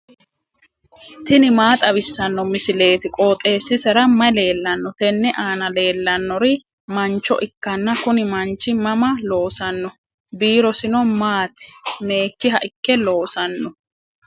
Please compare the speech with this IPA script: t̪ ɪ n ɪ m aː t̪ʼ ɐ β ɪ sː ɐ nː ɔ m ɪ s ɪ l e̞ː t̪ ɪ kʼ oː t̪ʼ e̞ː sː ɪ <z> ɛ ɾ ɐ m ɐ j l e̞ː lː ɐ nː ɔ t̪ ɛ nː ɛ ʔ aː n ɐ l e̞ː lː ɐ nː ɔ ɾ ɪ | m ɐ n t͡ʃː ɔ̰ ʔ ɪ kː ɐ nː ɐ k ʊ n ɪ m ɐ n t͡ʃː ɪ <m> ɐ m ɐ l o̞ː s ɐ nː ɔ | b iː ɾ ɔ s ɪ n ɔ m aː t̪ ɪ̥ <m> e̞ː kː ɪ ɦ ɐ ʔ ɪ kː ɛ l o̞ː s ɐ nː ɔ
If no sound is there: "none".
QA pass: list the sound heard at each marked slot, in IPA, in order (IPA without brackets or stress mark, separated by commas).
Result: s, m, m